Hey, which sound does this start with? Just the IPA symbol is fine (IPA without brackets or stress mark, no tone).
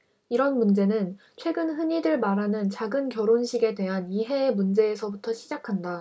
i